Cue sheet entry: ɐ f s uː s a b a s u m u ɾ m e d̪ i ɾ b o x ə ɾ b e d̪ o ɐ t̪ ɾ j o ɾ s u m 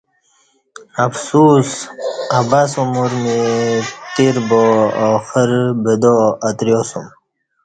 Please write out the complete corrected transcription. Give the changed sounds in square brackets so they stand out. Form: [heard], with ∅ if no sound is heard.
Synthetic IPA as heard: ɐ f s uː s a b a s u m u ɾ m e [t̪] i ɾ b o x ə ɾ b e d̪ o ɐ t̪ ɾ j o [∅] s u m